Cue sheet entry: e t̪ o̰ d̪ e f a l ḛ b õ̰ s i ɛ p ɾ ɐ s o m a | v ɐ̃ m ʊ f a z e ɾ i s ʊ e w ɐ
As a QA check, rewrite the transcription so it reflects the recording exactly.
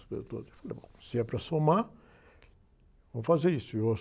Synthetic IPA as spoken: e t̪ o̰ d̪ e f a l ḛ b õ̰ s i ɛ p ɾ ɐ s o m a | v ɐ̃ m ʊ f a z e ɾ i s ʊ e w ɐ